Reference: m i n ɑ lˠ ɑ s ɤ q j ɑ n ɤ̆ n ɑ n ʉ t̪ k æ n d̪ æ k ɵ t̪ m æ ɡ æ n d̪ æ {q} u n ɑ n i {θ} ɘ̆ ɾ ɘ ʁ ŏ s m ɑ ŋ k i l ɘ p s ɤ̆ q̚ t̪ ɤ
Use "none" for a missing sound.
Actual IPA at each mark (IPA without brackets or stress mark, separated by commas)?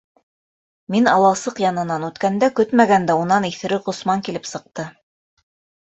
none, θ